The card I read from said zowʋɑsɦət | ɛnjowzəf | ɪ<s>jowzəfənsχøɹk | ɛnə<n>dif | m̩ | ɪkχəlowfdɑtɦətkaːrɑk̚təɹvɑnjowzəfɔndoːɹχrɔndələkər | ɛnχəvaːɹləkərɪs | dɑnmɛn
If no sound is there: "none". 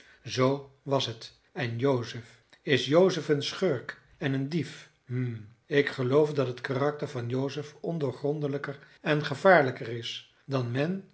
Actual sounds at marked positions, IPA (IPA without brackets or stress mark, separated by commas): s, n